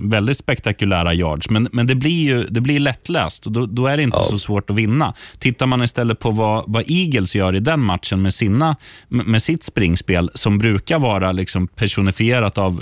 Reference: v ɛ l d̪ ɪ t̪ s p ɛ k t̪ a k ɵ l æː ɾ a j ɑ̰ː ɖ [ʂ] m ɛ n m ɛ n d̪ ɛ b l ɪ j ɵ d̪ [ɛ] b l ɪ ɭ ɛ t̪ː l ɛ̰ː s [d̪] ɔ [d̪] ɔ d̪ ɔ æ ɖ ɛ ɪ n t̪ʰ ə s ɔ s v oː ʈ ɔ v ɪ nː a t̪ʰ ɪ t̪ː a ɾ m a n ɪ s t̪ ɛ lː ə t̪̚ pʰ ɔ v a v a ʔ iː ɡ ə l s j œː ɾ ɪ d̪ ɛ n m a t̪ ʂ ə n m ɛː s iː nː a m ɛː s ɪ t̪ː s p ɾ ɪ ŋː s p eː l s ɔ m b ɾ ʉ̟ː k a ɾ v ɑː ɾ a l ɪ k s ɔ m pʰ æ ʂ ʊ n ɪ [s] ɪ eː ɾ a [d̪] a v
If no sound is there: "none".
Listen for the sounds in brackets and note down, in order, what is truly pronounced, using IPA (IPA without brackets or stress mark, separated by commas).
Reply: ʂ, ɛ, t̪, d̪, f, t̪